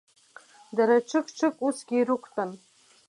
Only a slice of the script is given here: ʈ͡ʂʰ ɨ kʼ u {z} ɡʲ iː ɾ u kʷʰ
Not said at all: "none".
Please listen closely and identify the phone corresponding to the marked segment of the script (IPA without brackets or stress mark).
s